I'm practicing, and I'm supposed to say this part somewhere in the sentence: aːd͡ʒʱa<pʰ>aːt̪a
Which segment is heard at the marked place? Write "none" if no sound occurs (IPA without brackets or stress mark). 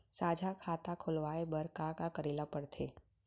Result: kʰ